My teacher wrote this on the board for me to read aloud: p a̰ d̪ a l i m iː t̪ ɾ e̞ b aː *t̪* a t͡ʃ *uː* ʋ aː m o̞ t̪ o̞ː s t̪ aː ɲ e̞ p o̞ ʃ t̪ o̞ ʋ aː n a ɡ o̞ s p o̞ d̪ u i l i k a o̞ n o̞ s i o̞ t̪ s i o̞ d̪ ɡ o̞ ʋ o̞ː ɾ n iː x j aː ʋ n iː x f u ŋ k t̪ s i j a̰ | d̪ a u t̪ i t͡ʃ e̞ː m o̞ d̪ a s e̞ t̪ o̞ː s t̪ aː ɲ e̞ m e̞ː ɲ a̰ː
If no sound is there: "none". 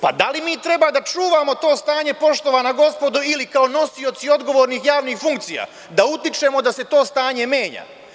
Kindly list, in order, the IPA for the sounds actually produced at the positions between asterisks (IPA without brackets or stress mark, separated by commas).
d̪, uː